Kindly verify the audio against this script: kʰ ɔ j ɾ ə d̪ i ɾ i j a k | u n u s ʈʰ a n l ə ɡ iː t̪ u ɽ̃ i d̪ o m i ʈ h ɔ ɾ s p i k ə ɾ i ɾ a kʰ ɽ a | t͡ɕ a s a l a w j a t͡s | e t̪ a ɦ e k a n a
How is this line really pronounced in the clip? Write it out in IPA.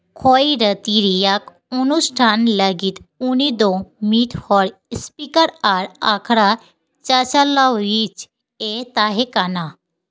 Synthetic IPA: kʰ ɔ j ɾ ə t̪ i ɾ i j a k | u n u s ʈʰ a n l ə ɡ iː t̪ u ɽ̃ i d̪ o m i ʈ h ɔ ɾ s p i k ə ɾ a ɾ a kʰ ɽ a | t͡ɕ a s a l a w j i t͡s | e t̪ a ɦ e k a n a